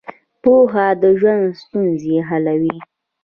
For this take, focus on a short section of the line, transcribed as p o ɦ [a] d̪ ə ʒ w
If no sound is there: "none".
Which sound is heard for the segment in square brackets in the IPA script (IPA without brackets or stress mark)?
a